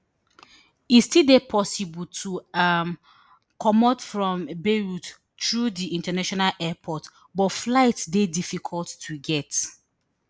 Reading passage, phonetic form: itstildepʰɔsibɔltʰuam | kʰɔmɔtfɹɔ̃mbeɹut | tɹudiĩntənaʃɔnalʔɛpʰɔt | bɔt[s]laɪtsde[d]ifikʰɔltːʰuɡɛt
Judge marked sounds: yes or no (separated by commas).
no, yes